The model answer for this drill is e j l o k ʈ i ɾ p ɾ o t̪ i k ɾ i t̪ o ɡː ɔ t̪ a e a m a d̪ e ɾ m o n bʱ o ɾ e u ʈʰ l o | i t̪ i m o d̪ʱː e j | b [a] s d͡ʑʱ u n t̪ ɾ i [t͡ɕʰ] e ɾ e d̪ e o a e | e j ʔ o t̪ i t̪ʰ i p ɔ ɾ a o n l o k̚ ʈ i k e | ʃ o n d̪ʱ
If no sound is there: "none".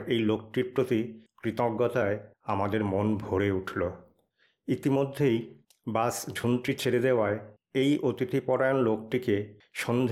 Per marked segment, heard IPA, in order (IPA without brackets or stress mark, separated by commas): a, t͡ɕʰ